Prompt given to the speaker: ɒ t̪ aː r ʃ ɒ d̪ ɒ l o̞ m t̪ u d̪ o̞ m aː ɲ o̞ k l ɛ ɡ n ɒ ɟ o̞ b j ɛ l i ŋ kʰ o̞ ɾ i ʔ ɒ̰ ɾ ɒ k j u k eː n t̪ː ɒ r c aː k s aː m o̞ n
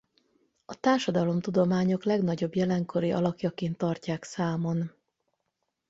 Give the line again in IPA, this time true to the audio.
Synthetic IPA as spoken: ɒ t̪ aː r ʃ ɒ d̪ ɒ l o̞ m t̪ u d̪ o̞ m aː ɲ o̞ k l ɛ ɡ n ɒ ɟ o̞ b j ɛ l ɛ ŋ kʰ o̞ ɾ i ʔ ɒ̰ l ɒ k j ɒ k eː n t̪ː ɒ r c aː k s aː m o̞ n